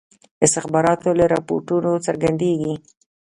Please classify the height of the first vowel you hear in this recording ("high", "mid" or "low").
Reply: high